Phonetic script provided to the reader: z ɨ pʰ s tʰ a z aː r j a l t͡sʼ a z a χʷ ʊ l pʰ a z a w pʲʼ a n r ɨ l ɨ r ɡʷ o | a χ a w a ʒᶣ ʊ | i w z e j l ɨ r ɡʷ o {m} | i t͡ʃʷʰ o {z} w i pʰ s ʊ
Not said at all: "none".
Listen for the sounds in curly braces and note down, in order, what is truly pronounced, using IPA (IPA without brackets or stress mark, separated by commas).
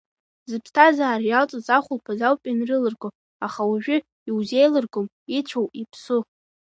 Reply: m, none